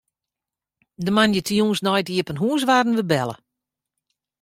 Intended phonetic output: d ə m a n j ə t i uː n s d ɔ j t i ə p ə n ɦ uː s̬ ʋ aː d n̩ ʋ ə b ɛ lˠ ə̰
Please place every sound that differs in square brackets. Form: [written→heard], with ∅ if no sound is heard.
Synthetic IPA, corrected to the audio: d ə m a n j ə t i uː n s [d→n] ɔ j t i ə p ə n ɦ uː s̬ ʋ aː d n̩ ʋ ə b ɛ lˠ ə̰